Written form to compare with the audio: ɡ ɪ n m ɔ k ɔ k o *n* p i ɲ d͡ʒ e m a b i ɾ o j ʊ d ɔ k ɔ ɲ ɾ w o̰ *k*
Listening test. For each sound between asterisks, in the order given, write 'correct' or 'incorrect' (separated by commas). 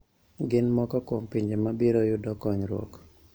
incorrect, correct